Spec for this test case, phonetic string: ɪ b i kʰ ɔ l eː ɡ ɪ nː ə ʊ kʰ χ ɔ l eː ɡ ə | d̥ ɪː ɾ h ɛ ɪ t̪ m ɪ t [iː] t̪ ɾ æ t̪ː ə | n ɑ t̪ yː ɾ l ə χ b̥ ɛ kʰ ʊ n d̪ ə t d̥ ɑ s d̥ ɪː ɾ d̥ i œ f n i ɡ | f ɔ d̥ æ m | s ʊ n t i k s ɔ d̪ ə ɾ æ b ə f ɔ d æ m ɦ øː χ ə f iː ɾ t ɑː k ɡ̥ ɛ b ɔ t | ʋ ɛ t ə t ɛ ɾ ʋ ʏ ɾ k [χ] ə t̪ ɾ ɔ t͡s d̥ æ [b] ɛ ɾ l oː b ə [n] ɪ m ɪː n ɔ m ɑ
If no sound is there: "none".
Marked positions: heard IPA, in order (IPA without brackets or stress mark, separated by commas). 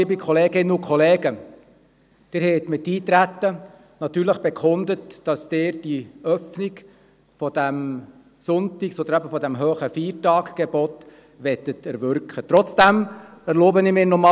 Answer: iː, χ, m, n